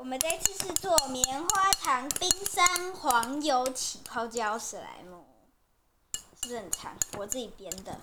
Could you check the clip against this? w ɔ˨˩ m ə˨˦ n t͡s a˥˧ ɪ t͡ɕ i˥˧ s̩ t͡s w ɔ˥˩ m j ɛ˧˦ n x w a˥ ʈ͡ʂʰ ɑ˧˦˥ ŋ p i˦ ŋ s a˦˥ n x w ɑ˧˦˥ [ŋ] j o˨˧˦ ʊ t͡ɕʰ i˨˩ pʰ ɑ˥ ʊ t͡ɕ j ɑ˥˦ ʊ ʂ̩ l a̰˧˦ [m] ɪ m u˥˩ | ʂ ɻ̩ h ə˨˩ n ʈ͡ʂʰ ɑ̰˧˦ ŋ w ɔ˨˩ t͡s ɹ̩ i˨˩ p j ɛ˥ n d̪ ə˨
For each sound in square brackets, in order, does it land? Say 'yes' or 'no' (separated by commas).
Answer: yes, no